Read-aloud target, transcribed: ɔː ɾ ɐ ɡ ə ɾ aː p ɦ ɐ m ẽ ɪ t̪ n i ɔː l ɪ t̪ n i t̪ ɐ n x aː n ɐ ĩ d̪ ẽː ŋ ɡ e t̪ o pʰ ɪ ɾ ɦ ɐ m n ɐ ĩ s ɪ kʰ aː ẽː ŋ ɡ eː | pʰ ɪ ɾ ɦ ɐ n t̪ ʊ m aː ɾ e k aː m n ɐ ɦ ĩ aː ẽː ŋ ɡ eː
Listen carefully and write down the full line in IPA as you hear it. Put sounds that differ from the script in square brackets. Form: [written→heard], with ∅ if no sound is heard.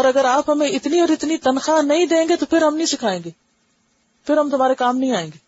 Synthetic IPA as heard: ɔː ɾ ɐ ɡ ə ɾ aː p ɦ ɐ m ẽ ɪ t̪ n i ɔː [l→ɾ] ɪ t̪ n i t̪ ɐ n x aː n ɐ ĩ d̪ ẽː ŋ ɡ e t̪ o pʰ ɪ ɾ ɦ ɐ m n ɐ ĩ s ɪ kʰ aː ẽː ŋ ɡ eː | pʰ ɪ ɾ ɦ ɐ [n→m] t̪ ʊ m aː ɾ e k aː m n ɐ ɦ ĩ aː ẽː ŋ ɡ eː